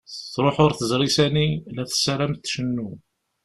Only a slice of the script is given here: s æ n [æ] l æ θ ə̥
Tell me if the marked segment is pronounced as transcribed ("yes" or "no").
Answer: no